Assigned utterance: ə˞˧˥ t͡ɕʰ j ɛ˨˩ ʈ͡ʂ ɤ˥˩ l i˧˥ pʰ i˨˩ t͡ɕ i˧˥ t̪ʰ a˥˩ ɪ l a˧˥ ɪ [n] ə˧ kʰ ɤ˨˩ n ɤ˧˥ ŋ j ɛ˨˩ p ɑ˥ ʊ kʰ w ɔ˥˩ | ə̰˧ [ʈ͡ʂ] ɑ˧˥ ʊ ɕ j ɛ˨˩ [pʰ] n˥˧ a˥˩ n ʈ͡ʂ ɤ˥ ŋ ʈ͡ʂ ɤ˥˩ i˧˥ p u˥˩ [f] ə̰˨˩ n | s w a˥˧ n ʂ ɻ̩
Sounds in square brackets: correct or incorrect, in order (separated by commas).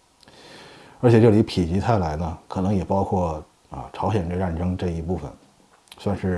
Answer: correct, incorrect, incorrect, correct